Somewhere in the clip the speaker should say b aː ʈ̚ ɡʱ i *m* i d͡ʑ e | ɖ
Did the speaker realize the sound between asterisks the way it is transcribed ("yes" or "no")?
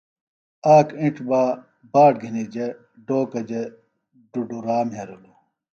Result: no